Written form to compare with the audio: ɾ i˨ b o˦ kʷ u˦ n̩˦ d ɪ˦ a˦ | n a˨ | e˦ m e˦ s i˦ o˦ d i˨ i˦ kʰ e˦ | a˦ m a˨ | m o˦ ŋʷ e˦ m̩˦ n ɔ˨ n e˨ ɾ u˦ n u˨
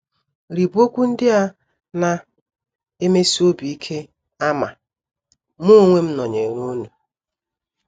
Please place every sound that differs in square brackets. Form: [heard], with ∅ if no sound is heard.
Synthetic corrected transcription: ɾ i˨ b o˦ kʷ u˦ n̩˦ d ɪ˦ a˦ | n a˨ | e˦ m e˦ s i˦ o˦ [b] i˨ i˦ kʰ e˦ | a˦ m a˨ | m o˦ ŋʷ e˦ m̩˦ n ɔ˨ [ɲ] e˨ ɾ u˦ n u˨